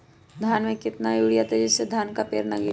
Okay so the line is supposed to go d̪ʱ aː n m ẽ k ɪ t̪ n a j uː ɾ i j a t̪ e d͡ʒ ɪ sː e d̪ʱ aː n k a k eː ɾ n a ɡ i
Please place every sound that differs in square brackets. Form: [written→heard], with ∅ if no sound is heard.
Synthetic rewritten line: d̪ʱ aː n m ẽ k ɪ t̪ n a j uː [ɾ→ɽ] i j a t̪ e d͡ʒ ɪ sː e d̪ʱ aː n k a [k→p] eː ɾ n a ɡ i